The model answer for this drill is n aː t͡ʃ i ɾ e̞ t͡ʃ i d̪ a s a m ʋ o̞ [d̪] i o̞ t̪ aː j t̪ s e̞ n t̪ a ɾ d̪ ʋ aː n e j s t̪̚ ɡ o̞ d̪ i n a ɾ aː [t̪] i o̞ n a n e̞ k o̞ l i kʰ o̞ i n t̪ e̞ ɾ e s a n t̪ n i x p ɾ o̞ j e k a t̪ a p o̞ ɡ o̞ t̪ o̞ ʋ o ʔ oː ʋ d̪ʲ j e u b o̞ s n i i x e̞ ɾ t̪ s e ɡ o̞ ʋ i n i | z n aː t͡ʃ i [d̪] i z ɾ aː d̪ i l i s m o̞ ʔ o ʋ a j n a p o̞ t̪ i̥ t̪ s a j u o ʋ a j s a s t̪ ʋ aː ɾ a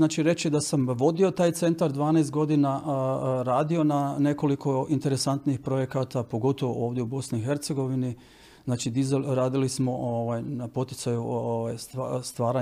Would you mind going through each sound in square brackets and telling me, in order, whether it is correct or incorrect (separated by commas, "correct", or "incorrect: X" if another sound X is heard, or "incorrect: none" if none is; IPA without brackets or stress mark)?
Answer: correct, incorrect: d̪, correct